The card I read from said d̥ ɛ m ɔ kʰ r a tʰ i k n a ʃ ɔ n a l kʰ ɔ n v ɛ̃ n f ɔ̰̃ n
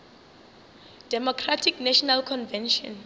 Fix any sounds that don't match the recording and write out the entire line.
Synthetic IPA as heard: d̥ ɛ m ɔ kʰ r a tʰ i k n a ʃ ɔ n a l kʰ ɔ n v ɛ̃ n ʃ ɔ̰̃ n